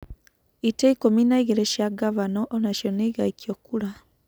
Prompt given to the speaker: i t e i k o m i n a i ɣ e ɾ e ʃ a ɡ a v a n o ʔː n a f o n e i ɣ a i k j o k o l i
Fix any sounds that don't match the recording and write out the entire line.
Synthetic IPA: i t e i k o m i n a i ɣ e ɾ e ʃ a ɡ a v a n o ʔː n a ʃ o n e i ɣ a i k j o k u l a

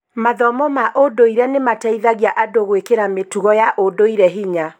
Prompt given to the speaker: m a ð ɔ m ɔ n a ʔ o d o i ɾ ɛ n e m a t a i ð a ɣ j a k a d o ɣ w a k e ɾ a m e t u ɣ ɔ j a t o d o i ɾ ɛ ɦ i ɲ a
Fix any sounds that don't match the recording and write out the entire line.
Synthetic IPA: m a ð ɔ m ɔ m a ʔ o d o i ɾ ɛ n e m a t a i ð a ɣ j a ʔ a d o ɣ w e k e ɾ a m e t u ɣ ɔ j a ʔ o d o i ɾ ɛ ɦ i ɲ a

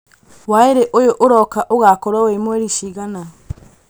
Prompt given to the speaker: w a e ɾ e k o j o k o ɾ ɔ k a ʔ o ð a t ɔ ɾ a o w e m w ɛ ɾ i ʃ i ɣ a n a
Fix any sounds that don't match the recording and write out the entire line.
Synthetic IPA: w a e ɾ e ʔ o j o ʔ o ɾ ɔ k a ʔ o ɣ a k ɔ ɾ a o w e m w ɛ ɾ i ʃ i ɣ a n a

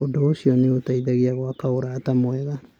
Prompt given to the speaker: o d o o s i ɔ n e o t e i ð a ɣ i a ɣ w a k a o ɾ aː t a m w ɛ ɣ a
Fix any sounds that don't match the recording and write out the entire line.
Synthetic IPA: o d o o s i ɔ n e o t a i ð a ɣ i a ɣ w a k a o ɾ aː t a m w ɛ ɣ a

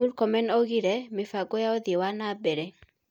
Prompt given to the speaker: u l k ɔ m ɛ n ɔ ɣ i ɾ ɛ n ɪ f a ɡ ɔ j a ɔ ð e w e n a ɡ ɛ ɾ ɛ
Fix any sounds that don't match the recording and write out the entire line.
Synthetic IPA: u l k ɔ m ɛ n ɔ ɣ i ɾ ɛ m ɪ f a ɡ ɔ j a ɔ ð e w a n a b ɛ ɾ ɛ

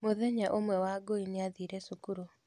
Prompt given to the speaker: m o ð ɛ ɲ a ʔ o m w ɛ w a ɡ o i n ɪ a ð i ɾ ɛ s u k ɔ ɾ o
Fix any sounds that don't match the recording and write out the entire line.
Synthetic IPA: m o ð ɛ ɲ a ʔ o m w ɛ w a ɡ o i n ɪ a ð i ɾ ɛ s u k u ɾ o

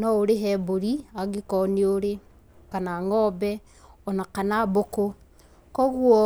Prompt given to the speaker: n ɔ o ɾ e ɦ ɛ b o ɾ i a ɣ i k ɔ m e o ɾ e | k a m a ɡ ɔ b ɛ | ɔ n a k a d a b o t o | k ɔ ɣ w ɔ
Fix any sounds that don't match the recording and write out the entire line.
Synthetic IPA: n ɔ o ɾ e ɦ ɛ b o ɾ i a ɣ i k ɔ n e o ɾ e | k a n a ŋ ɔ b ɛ | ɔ n a k a n a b o k o | k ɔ ɣ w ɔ

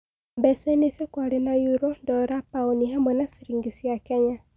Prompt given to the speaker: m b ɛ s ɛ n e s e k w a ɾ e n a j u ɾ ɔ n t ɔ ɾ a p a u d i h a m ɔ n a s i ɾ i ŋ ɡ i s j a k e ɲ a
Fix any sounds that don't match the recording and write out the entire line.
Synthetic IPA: m b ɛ s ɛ n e s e k w a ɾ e n a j u ɾ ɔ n d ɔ ɾ a p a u n i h a m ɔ n a s i ɾ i ŋ ɡ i s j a k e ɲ a

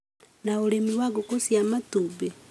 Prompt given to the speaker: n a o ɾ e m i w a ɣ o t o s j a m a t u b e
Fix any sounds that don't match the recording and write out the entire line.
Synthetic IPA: n a o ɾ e m i w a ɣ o k o s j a m a t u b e

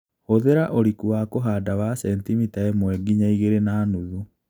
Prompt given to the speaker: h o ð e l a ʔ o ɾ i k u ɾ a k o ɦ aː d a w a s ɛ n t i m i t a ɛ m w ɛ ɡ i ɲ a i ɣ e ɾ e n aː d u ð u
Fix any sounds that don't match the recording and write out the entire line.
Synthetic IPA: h o ð e ɾ a ʔ o ɾ i k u a k o ɦ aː d a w a s ɛ n t i m i t a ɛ m w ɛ ɡ i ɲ a i ɣ e ɾ e n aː n u ð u

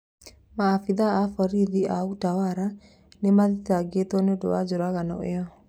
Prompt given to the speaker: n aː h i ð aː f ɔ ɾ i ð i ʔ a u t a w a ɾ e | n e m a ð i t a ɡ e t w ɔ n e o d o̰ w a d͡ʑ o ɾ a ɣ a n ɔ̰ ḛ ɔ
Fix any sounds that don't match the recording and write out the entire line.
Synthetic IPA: m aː f i ð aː f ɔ ɾ i ð i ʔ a u t a w a ɾ a | n e m a ð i t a ɡ e t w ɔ n e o d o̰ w a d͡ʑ o ɾ a ɣ a n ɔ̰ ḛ ɔ

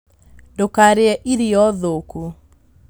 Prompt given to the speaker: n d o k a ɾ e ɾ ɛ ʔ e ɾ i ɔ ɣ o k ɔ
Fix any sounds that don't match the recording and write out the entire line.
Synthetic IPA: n d o k a ɾ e ɛ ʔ i ɾ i ɔ ð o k u

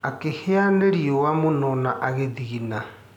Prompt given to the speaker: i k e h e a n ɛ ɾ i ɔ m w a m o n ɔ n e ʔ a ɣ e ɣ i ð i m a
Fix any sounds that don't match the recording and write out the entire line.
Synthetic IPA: a k e h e a n e ɾ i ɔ w a m o n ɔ n a ʔ a ɣ e ð i ɣ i n a

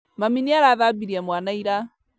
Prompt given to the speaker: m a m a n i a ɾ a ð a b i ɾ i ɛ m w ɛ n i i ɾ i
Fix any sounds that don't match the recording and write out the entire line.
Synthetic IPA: m a m i n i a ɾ a ð a b i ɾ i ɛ m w a n a i ɾ a

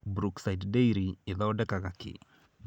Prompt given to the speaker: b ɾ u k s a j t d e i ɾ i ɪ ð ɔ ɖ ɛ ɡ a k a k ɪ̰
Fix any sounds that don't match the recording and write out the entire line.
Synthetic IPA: b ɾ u k s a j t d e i ɾ i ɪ ð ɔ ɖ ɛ k a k a k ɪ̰

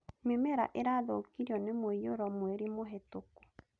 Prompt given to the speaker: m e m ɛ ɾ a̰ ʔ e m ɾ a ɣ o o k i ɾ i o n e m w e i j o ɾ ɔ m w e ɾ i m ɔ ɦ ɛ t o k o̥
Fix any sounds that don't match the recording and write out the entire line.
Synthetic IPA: m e m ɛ ɾ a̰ ʔ e ɾ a ð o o k i ɾ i ɔ n e m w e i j o ɾ ɔ m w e ɾ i m o ɦ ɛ t o k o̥

